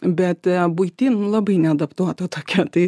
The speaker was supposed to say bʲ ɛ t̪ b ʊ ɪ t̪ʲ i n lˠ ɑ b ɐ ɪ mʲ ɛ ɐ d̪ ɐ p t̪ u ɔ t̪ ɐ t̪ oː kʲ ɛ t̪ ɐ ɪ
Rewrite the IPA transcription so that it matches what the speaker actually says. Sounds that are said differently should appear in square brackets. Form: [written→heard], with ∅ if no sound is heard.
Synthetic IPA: bʲ ɛ t̪ b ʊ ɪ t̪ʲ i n lˠ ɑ b ɐ ɪ [mʲ→nʲ] ɛ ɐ d̪ ɐ p t̪ u ɔ t̪ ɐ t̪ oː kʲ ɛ t̪ ɐ ɪ

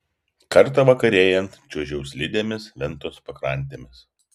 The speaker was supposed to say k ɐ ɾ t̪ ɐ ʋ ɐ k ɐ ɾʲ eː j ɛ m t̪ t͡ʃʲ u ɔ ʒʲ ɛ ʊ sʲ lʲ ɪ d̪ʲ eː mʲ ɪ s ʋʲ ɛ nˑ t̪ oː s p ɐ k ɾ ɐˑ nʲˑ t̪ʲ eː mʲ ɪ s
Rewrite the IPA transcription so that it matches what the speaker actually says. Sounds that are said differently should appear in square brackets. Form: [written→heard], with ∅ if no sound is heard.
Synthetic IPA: k ɐ ɾ t̪ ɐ ʋ ɐ k ɐ ɾʲ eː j ɛ [m→n] t̪ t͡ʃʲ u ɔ ʒʲ ɛ ʊ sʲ lʲ ɪ d̪ʲ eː mʲ ɪ s ʋʲ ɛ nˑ t̪ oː s p ɐ k ɾ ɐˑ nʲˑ t̪ʲ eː mʲ ɪ s

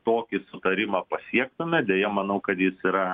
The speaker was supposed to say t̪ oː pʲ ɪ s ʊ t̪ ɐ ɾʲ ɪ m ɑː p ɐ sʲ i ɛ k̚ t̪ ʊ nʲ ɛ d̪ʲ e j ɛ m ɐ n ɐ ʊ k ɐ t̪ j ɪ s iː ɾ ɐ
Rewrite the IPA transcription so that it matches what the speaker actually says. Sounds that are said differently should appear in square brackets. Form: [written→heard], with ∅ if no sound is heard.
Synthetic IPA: t̪ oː [pʲ→kʲ] ɪ s ʊ t̪ ɐ ɾʲ ɪ m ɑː p ɐ sʲ i ɛ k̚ t̪ ʊ [nʲ→mʲ] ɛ d̪ʲ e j ɛ m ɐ n ɐ ʊ k ɐ t̪ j ɪ s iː ɾ ɐ

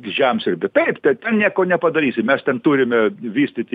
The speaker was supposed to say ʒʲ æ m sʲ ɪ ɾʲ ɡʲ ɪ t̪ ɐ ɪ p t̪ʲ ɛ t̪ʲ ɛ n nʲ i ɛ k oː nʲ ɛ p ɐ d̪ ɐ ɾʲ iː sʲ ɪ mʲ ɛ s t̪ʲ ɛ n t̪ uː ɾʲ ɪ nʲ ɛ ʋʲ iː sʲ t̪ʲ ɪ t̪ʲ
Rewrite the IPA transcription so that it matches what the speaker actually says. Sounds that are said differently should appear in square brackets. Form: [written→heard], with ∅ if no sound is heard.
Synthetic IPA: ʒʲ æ m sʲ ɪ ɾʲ [ɡʲ→bʲ] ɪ t̪ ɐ ɪ p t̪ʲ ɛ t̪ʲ ɛ n nʲ i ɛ k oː nʲ ɛ p ɐ d̪ ɐ ɾʲ iː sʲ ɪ mʲ ɛ s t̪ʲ ɛ n t̪ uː ɾʲ ɪ [nʲ→mʲ] ɛ ʋʲ iː sʲ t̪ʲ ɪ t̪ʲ

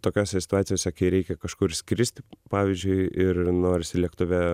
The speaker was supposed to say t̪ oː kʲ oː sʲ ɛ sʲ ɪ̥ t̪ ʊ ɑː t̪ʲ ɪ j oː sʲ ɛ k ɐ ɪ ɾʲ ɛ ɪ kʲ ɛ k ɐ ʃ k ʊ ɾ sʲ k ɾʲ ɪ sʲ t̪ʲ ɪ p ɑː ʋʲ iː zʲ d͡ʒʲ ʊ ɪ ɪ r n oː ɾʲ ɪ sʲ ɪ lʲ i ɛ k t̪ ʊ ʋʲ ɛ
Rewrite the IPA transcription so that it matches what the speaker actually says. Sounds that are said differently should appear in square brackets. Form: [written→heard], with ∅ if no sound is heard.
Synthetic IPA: t̪ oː kʲ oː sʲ ɛ sʲ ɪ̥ t̪ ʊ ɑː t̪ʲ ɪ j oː sʲ ɛ k ɐ ɪ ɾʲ ɛ ɪ kʲ ɛ k ɐ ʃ k ʊ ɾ sʲ k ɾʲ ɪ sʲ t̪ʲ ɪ p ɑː ʋʲ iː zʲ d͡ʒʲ ʊ ɪ ɪ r n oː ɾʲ ɪ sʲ ɪ lʲ i ɛ k t̪ ʊ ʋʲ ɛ

